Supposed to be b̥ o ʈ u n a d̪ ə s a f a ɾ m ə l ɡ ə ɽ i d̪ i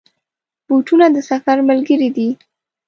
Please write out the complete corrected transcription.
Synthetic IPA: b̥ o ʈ u n a d̪ ə s a f a ɾ m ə l ɡ ə ɾ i d̪ i